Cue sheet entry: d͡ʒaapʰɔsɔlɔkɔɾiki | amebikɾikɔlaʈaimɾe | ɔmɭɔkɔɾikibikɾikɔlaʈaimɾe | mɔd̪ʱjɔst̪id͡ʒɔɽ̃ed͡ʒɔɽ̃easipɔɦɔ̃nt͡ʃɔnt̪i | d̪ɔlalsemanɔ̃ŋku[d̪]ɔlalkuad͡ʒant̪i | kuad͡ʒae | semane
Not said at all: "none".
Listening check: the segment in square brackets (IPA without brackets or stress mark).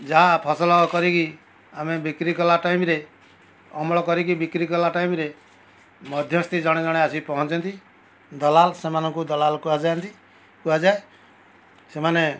d̪